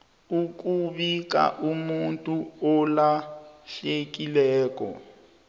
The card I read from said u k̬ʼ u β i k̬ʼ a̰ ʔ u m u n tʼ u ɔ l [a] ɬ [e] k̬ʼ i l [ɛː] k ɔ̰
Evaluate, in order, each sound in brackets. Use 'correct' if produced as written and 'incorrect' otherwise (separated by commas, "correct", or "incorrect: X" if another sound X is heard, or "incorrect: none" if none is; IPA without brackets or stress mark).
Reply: correct, correct, correct